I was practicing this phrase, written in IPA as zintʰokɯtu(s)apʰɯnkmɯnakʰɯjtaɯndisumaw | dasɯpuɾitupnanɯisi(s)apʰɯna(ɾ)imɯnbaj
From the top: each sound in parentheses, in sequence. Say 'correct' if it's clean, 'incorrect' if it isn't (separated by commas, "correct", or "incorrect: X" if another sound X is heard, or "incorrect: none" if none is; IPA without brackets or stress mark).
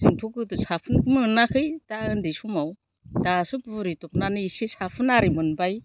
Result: correct, correct, correct